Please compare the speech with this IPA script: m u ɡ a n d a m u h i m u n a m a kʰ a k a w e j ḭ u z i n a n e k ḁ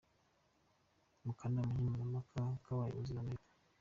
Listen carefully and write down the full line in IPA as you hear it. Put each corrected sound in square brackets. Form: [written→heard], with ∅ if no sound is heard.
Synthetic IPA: m u [ɡ→k] a n d a m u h i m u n a m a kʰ a k a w [e→a] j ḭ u z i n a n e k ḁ